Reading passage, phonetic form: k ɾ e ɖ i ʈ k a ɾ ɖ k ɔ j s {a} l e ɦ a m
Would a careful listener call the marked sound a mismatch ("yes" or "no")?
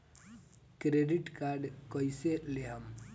yes